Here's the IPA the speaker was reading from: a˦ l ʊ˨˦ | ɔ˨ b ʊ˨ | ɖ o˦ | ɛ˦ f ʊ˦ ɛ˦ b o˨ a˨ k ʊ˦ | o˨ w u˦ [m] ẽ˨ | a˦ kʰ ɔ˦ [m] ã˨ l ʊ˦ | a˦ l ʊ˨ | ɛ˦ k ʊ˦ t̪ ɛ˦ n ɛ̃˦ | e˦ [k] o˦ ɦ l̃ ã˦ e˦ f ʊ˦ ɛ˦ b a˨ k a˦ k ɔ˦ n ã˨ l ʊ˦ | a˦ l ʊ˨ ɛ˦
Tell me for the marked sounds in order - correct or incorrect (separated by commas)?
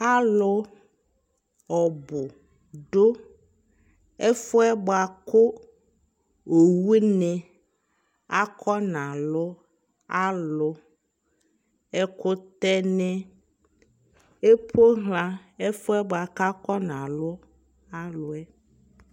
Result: incorrect, incorrect, incorrect